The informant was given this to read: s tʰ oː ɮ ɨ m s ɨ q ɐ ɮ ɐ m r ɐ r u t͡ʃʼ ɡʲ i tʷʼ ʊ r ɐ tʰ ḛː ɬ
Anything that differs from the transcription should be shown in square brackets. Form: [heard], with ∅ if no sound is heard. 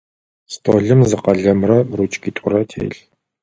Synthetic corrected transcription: s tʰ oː ɮ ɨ m [z] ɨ q ɐ ɮ ɐ m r ɐ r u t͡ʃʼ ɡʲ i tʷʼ ʊ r ɐ tʰ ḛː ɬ